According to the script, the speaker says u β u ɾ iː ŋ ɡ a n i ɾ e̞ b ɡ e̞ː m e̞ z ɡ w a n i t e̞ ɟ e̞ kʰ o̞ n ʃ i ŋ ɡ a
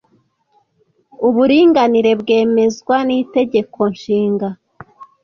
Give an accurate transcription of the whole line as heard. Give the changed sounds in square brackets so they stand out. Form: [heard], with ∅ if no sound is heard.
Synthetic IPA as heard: u β u ɾ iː ŋ ɡ a n i ɾ e̞ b ɡ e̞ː m e̞ z ɡ w a n i t e̞ ɟ e̞ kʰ o̞ n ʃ [iː] ŋ ɡ a